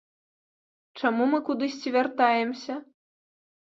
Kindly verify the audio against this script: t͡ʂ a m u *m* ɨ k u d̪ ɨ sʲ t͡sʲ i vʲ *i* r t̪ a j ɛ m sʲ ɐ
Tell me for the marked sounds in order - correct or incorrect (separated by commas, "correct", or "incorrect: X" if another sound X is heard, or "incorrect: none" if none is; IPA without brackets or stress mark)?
correct, incorrect: a